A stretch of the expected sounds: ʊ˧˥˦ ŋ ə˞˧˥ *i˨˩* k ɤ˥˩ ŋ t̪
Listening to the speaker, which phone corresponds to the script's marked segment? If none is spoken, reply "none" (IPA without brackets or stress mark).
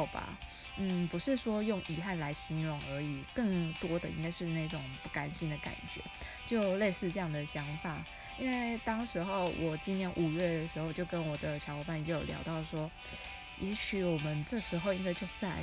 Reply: i˨˩